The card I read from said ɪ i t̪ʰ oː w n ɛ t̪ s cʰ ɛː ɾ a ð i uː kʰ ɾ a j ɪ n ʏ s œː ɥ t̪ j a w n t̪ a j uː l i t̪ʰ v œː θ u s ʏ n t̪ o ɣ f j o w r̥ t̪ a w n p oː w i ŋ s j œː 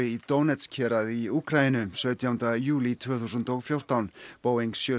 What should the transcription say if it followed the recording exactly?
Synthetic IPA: ɪ i t̪ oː w n ɛ t̪ s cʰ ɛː ɾ a ð i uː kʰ ɾ a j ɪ n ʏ s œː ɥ t̪ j a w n t̪ a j uː l i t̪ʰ v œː θ u s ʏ n t̪ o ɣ f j o w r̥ t̪ a w n p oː w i ŋ s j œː